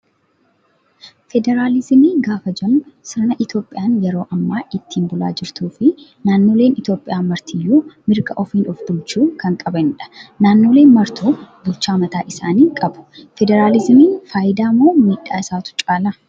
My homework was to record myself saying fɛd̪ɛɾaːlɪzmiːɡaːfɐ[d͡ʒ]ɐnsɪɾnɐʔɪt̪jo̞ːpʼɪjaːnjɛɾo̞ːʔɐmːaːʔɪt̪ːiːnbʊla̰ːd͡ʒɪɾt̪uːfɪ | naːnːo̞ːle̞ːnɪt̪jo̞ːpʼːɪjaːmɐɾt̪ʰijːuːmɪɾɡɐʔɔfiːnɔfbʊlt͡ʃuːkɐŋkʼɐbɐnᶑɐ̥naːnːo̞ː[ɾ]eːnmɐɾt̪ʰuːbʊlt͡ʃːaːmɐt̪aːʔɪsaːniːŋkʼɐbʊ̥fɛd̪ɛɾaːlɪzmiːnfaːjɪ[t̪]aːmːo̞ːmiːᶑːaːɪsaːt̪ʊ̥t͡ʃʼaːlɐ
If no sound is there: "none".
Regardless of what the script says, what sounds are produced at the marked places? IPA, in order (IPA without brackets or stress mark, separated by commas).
d͡ʒ, l, d̪